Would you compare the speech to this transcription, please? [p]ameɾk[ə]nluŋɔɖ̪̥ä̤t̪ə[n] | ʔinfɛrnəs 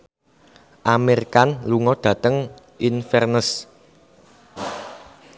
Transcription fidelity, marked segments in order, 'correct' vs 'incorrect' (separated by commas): incorrect, incorrect, incorrect